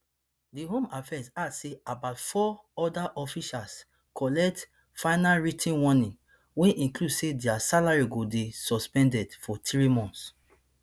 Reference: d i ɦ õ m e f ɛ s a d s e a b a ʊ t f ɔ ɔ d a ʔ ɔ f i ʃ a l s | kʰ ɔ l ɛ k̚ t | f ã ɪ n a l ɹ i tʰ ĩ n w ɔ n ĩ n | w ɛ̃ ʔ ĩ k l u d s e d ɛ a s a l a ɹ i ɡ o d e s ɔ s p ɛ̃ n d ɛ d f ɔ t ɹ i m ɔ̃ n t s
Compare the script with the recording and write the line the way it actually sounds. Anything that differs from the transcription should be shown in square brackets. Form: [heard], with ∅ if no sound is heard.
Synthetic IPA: d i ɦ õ m [a] f ɛ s a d s e a b a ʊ t f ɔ ɔ d a ʔ ɔ f i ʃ a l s | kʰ ɔ l ɛ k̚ t | f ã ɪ n a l ɹ i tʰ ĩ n w ɔ n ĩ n | w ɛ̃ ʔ ĩ k l u d s e d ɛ a s a l a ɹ i ɡ o d e s ɔ s p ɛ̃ n d ɛ d f ɔ t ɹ i m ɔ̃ n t s